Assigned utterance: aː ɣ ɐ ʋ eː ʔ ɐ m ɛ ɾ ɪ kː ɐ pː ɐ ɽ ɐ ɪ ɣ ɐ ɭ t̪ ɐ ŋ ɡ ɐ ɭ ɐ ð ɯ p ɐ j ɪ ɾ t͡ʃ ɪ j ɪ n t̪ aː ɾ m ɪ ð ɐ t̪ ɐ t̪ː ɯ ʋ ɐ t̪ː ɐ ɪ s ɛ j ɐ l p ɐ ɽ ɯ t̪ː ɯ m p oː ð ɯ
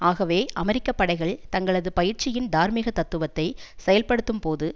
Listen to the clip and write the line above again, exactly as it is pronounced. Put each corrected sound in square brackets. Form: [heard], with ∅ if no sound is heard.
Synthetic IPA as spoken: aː ɣ ɐ ʋ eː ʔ ɐ m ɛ ɾ ɪ kː ɐ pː ɐ ɽ ɐ ɪ ɣ ɐ ɭ t̪ ɐ ŋ ɡ ɐ ɭ ɐ ð ɯ p ɐ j ɪ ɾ t͡ʃ ɪ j ɪ n [d̪] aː ɾ m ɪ [ɣ] ɐ t̪ ɐ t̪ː ɯ ʋ ɐ t̪ː ɐ ɪ s ɛ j ɐ l p ɐ ɽ ɯ t̪ː ɯ m p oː ð ɯ